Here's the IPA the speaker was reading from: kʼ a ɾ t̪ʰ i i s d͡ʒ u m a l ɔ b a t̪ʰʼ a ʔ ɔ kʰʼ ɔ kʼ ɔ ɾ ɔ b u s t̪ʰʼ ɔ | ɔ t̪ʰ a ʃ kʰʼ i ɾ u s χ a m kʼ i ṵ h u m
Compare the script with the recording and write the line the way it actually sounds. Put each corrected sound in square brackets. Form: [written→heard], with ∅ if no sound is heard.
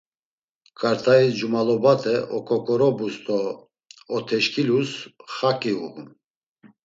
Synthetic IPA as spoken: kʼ a ɾ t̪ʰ [i→a] i s d͡ʒ u m a l ɔ b a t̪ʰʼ [a→ɛ] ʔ ɔ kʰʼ ɔ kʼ ɔ ɾ ɔ b u s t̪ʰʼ ɔ | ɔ t̪ʰ [a→ɛ] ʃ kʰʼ i [ɾ→l] u s χ a [m→∅] kʼ i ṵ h u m